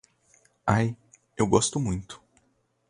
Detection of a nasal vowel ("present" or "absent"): present